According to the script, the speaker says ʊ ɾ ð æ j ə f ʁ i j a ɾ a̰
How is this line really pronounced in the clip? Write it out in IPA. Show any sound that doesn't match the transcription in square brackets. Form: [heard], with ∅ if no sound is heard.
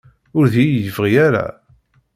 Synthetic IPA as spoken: ʊ ɾ ð [i] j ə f ʁ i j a ɾ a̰